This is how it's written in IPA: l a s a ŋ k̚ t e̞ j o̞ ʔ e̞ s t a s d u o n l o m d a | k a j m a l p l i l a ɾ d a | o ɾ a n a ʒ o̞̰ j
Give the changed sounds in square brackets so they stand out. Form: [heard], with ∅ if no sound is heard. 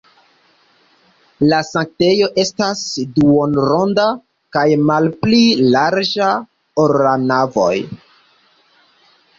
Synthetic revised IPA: l a s a ŋ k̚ t e̞ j o̞ ʔ e̞ s t a s d u o n [ɾ] o [n] d a | k a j m a l p l i l a ɾ [d͡ʒ] a | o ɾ a n a [v] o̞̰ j